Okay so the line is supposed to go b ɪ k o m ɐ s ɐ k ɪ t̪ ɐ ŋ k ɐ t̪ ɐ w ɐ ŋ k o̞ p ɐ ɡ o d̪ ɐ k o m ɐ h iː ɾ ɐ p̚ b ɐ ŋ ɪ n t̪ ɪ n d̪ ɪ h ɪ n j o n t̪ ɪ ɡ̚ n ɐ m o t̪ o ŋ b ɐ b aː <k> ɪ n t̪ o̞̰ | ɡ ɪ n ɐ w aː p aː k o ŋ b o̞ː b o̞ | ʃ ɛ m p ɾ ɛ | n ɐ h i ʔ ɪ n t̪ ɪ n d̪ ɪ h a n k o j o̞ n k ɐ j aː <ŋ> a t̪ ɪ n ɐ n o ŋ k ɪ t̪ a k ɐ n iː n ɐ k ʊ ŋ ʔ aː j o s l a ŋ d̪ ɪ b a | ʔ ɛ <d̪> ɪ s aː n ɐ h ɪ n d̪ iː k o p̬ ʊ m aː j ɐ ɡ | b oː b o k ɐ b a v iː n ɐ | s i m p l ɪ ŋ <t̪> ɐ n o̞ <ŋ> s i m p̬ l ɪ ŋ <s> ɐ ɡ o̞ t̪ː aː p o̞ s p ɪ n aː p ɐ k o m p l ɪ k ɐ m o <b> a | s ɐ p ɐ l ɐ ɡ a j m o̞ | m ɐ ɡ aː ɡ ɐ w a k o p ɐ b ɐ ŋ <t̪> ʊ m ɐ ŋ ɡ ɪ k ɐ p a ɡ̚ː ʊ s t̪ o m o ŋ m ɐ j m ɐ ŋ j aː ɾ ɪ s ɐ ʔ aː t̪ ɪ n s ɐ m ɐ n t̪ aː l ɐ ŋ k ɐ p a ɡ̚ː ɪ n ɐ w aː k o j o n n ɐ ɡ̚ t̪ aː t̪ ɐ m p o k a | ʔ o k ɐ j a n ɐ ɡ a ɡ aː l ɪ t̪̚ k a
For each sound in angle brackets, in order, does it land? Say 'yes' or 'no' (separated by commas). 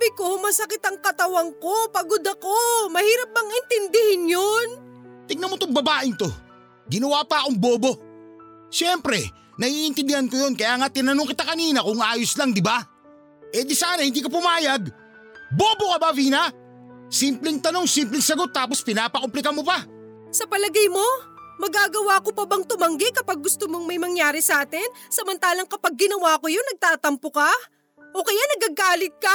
no, yes, yes, yes, yes, yes, no, yes